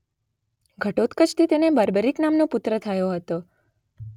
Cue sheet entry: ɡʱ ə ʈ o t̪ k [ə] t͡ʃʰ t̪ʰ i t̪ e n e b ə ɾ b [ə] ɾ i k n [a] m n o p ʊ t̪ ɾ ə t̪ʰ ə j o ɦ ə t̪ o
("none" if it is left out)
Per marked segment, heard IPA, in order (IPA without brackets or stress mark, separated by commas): ə, ə, a